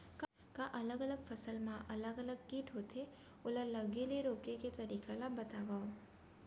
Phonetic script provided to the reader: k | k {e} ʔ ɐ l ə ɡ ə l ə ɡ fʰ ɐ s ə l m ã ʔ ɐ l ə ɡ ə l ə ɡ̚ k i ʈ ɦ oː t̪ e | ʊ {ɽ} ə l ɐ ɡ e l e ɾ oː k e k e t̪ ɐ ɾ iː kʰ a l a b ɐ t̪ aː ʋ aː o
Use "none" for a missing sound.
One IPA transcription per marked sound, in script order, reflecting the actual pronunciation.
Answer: a, l

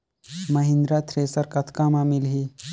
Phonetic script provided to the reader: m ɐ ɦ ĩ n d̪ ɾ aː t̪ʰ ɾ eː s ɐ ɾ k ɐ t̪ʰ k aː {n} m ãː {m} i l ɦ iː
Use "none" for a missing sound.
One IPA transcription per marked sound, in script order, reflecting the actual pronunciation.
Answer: none, m

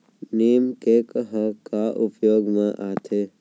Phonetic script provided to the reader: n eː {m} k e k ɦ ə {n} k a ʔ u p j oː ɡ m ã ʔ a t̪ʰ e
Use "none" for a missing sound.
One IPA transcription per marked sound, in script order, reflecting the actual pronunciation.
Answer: m, none

